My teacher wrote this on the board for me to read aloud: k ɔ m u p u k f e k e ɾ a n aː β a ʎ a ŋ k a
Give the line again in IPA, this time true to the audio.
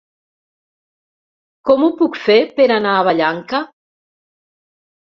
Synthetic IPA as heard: k ɔ m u p u k f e p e ɾ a n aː β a ʎ a ŋ k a